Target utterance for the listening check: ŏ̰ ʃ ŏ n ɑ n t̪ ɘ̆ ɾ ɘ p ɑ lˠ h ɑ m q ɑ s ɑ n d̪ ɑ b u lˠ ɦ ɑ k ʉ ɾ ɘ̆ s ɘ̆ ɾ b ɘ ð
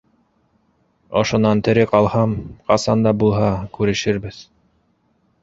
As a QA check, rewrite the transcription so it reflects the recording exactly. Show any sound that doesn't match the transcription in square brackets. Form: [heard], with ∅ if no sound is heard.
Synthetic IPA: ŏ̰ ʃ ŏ n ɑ n t̪ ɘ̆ ɾ ɘ [q] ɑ lˠ h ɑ m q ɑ s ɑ n d̪ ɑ b u lˠ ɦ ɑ k ʉ ɾ ɘ̆ [ʃ] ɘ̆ ɾ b ɘ ð